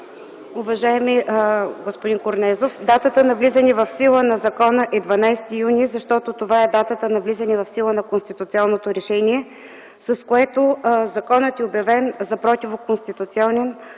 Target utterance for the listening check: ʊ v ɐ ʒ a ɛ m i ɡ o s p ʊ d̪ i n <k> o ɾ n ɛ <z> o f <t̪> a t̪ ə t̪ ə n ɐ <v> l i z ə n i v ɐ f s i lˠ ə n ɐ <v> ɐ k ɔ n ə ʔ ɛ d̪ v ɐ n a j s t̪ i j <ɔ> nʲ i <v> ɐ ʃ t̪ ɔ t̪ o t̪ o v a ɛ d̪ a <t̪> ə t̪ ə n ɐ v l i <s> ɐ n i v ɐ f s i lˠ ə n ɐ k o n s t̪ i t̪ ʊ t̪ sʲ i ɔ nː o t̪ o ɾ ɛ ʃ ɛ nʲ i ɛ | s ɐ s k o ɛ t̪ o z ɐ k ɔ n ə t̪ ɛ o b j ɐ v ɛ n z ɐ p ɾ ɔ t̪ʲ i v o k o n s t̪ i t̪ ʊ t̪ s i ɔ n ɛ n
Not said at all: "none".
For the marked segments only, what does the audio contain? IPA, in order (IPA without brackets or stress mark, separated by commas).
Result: k, z, d̪, v, z, u, z, t̪, z